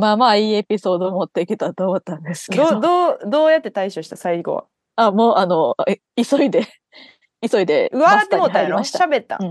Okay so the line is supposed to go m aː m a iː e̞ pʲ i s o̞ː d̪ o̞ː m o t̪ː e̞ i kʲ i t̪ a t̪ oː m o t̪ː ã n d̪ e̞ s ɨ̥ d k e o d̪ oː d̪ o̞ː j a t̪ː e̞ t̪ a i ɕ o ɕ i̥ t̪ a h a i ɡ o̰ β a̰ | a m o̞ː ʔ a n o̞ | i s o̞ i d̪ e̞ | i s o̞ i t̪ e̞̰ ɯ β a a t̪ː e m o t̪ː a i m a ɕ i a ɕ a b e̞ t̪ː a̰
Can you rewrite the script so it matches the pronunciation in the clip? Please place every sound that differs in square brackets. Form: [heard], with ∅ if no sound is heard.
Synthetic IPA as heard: m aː m a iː e̞ pʲ i s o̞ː d̪ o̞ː m o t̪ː e̞ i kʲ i t̪ a t̪ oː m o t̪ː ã n d̪ e̞ s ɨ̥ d k e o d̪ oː d̪ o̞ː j a t̪ː e̞ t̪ a i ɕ o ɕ i̥ t̪ a [s] a i ɡ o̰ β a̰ | a m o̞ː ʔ a n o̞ | i s o̞ i d̪ e̞ | i s o̞ i [d̪] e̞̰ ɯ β a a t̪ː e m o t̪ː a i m a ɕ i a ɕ a b e̞ t̪ː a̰